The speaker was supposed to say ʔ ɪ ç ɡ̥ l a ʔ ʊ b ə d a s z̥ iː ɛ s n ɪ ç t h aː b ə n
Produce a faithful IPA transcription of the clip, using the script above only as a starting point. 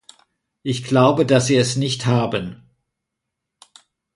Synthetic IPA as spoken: ʔ ɪ ç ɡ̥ l a ʊ b ə d a s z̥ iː ɛ s n ɪ ç t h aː b ə n